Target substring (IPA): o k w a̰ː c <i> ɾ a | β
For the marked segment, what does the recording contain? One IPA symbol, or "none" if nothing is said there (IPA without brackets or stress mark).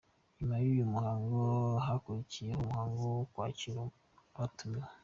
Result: i